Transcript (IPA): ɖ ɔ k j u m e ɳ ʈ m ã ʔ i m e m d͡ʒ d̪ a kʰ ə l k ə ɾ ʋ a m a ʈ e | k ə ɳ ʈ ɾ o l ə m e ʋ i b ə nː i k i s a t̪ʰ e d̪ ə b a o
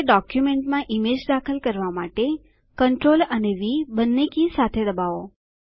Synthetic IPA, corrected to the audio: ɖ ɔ k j u m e ɳ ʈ m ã ʔ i m e d͡ʒ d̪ a kʰ ə l k ə ɾ ʋ a m a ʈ e | k ə ɳ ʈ ɾ o l ə n e ʋ i b ə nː e k i s a t̪ʰ e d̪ ə b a o